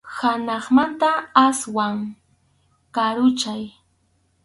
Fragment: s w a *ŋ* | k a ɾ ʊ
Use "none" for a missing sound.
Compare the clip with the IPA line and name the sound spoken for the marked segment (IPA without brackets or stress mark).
ŋ